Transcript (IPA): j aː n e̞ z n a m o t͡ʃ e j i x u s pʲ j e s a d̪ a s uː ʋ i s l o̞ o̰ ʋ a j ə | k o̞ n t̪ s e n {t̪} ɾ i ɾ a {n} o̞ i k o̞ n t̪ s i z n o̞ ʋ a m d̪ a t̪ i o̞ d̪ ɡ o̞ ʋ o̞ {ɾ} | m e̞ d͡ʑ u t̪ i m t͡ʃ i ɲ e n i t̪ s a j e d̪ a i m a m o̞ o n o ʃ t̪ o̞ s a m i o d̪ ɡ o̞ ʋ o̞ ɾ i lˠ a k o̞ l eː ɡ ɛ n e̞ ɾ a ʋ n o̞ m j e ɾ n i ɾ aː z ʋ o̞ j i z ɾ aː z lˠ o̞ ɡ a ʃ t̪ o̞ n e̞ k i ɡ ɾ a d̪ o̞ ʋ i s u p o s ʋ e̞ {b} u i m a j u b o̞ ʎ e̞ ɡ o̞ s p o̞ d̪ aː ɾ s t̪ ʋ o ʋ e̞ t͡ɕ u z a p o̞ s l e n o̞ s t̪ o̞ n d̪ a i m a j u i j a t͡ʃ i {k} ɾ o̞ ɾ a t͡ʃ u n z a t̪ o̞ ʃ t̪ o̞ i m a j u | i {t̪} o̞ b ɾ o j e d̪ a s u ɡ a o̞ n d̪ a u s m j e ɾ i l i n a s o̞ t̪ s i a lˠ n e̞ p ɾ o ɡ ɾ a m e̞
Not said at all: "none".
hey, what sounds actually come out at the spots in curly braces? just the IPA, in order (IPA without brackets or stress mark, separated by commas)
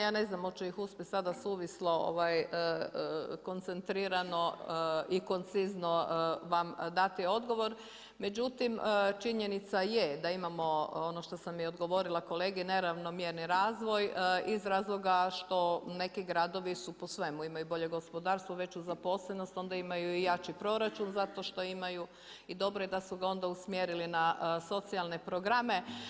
t̪, n, ɾ, m, p, d̪